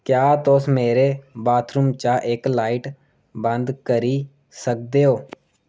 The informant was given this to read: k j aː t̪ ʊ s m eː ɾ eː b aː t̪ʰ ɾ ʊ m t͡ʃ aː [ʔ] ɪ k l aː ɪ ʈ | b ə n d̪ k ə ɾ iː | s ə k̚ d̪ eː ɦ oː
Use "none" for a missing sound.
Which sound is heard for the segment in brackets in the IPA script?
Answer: ʔ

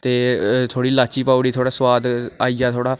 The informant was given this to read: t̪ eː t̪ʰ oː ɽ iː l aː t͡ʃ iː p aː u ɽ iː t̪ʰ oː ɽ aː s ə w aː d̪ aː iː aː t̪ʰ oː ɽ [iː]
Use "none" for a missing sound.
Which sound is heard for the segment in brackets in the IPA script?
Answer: aː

